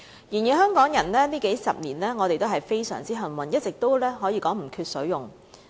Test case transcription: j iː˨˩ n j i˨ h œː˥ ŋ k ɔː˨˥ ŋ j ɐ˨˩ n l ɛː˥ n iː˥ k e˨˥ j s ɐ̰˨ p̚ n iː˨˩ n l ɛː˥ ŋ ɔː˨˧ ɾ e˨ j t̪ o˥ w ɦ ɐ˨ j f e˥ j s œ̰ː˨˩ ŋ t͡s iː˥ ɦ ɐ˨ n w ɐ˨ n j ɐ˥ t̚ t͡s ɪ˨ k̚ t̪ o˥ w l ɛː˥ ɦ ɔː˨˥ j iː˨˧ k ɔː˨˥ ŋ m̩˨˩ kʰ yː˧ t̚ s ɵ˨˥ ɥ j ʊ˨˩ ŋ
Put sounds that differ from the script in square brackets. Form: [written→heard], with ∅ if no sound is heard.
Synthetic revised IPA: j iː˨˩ n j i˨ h œː˥ ŋ k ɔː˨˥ ŋ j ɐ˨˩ n l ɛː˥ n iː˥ k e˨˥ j s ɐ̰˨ p̚ n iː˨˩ n l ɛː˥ ŋ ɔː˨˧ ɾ e˨ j t̪ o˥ w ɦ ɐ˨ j f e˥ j s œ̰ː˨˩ ŋ t͡s iː˥ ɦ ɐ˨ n w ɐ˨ n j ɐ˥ t̚ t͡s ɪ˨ k̚ t̪ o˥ w l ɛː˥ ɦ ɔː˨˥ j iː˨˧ k ɔː˨˥ ŋ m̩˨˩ kʰ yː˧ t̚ s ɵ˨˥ ɥ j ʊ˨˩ ŋ